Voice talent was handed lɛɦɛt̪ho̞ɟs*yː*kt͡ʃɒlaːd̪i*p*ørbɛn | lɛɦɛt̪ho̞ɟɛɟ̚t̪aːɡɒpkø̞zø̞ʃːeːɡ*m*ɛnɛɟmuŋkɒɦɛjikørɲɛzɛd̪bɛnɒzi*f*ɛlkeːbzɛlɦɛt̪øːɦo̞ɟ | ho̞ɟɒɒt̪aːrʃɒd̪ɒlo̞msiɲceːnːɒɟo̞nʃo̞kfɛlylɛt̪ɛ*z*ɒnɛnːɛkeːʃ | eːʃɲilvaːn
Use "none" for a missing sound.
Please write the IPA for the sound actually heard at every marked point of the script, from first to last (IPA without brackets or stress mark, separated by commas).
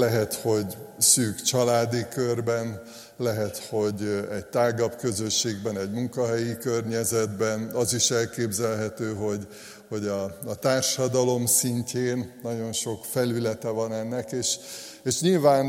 yː, k, b, ʃ, v